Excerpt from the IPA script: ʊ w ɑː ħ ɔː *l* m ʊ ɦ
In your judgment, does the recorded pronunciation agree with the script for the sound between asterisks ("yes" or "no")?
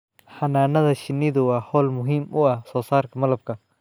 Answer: yes